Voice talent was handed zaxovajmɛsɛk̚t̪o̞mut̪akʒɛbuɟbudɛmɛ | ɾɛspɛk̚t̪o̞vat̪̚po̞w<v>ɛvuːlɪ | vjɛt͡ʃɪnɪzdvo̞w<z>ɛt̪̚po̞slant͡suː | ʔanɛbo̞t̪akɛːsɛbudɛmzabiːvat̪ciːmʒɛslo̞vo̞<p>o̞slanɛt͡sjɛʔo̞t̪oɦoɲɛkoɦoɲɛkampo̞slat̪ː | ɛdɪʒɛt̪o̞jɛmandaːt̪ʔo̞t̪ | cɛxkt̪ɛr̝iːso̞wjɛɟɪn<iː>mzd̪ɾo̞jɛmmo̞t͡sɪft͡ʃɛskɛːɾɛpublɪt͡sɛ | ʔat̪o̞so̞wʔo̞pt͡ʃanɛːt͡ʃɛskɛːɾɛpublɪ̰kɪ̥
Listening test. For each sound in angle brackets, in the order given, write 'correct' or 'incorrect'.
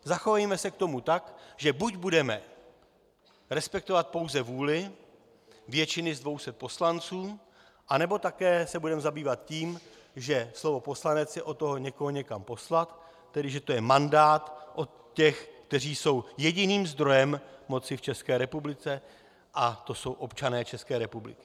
incorrect: z, incorrect: s, correct, correct

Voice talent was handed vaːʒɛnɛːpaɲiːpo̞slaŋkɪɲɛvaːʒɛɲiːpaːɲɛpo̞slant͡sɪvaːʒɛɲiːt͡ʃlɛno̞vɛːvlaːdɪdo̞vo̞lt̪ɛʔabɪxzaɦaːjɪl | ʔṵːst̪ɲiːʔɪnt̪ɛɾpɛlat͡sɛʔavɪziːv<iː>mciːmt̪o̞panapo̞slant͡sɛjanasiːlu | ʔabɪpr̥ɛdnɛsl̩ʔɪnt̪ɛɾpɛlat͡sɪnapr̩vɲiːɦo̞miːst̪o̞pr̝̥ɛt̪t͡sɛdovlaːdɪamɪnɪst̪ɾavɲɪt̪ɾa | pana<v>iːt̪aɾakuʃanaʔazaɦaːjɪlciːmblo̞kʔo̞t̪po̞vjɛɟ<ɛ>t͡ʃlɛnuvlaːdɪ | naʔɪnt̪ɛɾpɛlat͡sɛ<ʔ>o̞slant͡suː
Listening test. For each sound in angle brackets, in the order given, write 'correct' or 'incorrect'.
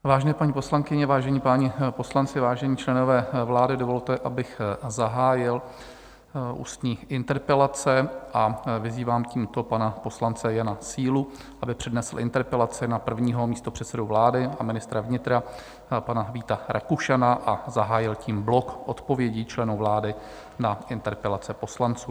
incorrect: aː, correct, incorrect: i, incorrect: p

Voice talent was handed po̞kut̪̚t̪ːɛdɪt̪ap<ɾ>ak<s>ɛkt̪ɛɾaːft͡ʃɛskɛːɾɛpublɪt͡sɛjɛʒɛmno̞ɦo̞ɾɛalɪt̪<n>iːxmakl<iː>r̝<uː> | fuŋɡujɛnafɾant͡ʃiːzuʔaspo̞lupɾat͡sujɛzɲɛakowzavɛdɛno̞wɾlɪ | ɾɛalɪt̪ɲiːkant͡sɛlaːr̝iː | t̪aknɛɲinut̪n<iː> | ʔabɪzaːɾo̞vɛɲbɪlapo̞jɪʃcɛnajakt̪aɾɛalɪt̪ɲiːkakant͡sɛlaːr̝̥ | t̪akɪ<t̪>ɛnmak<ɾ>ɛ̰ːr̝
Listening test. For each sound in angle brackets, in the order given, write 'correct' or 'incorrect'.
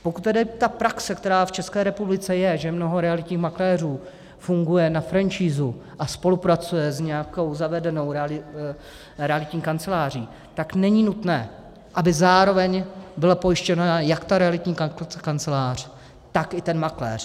correct, correct, incorrect: ɲ, incorrect: ɛː, correct, incorrect: ɛː, correct, incorrect: l

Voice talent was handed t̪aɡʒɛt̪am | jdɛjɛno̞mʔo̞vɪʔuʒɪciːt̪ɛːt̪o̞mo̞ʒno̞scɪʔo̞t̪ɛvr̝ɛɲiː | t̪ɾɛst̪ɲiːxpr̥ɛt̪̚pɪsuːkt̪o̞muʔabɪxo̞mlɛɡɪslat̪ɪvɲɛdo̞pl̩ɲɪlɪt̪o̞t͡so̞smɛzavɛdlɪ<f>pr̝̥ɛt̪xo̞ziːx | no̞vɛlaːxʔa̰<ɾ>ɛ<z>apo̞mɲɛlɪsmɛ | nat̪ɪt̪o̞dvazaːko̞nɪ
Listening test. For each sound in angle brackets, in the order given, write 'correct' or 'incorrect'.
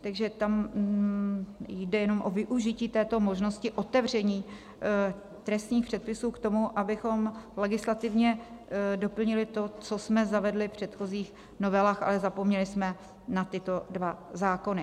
correct, incorrect: l, correct

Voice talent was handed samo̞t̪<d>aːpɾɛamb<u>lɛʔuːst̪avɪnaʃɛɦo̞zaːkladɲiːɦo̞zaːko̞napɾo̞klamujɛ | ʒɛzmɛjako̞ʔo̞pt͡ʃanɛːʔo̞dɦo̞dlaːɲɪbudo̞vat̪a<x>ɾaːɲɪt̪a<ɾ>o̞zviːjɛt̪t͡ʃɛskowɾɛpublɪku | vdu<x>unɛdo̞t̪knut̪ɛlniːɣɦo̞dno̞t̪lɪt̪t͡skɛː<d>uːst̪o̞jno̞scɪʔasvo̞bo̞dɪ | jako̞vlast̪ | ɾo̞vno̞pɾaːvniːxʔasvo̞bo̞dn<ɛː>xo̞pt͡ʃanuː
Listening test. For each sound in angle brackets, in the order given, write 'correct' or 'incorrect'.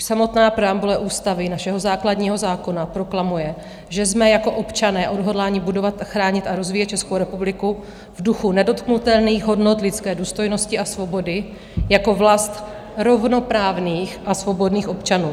incorrect: n, correct, correct, correct, correct, correct, incorrect: iː

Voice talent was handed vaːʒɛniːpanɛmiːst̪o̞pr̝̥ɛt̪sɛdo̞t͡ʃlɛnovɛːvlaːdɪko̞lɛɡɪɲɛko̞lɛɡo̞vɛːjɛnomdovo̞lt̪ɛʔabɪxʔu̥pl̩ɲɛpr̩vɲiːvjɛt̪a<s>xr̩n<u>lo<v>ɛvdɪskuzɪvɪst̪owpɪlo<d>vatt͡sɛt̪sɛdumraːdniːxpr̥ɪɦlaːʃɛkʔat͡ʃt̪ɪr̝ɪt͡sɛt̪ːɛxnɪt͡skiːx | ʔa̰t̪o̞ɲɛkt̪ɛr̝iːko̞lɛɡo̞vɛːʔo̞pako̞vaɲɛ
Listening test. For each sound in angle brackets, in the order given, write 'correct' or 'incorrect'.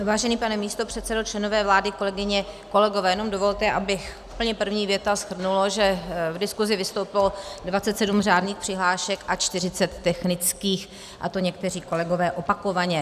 correct, correct, incorrect: ʒ, correct

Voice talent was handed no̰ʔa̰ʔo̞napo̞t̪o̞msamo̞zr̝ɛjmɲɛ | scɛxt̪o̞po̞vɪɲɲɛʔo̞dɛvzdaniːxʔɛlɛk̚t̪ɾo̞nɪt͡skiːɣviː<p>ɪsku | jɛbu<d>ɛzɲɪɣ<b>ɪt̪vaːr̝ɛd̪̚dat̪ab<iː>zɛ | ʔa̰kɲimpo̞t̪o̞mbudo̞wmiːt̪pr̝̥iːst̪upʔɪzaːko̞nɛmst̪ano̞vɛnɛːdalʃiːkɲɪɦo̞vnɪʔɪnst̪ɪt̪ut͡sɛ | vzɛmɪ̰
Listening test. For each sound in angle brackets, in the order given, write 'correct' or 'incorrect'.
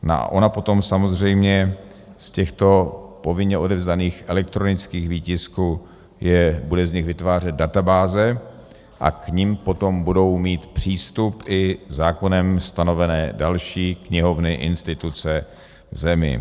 incorrect: c, correct, incorrect: v, incorrect: aː

